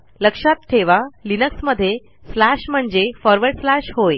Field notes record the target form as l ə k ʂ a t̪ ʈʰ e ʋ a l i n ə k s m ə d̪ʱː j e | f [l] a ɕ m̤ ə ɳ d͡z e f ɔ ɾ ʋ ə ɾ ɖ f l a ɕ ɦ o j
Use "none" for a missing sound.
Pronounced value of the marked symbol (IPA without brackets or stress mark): l